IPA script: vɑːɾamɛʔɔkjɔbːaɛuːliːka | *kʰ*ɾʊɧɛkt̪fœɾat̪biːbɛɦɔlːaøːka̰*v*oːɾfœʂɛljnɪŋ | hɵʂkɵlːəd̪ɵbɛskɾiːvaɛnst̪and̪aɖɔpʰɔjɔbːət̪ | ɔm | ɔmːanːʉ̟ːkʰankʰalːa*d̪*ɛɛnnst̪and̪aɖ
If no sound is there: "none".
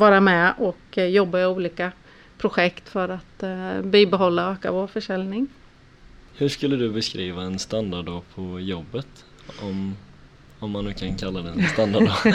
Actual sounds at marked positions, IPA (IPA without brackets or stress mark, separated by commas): pʰ, v, d̪